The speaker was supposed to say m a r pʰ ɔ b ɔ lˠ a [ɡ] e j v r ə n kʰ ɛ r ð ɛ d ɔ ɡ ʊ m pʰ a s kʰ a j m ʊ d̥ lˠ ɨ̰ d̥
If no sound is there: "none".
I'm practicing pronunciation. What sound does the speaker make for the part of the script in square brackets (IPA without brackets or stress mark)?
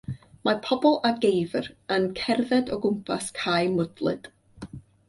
ɡ